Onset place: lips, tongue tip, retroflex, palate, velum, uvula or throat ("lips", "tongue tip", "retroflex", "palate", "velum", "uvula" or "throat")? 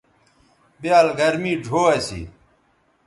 lips